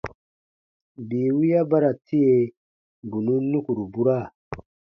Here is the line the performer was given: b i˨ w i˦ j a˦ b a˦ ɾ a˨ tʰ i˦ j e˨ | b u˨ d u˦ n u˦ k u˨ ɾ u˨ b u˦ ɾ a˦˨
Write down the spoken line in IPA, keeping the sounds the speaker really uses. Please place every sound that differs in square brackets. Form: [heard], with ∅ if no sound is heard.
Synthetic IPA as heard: b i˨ w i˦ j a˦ b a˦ ɾ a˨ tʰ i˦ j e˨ | b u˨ [n] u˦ n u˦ k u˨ ɾ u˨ b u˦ ɾ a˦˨